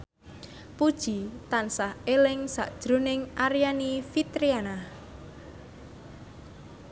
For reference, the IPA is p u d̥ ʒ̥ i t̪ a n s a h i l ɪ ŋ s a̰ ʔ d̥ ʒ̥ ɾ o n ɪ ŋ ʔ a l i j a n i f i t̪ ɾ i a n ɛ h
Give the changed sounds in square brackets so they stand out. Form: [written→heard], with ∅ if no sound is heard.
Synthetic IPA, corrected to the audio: p u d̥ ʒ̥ i t̪ a n s a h [i→e] l ɪ ŋ s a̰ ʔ d̥ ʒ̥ ɾ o n ɪ ŋ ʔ a [l→ɾ] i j a n i f i t̪ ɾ i a n [ɛ→a] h